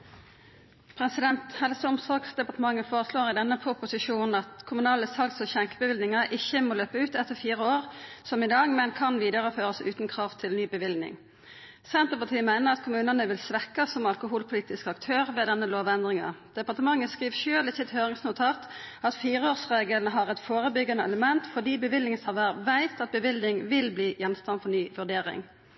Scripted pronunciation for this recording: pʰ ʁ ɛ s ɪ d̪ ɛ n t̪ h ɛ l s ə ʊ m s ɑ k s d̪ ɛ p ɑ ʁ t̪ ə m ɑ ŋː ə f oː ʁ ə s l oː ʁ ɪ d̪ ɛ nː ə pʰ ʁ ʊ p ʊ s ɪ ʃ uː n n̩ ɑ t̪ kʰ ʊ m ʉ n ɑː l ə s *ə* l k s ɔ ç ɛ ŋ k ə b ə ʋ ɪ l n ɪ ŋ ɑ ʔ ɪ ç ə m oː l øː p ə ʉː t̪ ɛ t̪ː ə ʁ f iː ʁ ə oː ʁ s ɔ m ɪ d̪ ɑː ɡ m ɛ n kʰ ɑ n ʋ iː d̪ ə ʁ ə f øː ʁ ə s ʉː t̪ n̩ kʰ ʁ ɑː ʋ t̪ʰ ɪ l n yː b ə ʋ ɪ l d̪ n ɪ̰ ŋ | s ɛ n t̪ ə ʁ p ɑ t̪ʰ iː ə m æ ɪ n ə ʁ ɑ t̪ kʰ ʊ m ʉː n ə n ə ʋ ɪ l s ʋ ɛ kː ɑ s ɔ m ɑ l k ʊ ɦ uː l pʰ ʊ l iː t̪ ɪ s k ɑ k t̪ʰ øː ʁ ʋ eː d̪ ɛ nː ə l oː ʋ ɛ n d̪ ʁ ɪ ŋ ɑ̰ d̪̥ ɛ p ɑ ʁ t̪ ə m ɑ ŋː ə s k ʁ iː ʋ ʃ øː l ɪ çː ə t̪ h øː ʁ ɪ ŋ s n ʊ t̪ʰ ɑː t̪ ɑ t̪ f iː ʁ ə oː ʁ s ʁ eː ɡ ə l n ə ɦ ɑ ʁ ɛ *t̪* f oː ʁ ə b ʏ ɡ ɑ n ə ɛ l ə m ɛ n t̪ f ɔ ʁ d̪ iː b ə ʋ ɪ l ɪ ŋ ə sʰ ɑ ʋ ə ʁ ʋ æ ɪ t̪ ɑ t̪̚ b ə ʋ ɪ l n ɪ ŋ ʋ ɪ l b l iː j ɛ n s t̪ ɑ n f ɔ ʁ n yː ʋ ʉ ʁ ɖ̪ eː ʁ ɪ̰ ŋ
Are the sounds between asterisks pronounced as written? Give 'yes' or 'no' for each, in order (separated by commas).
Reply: no, yes